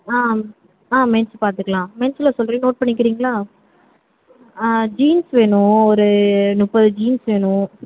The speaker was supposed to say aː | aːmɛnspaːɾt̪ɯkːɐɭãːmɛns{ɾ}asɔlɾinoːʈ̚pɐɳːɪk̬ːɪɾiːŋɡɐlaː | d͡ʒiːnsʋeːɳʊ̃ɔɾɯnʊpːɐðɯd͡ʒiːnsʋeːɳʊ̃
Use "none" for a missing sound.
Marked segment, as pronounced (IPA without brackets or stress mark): l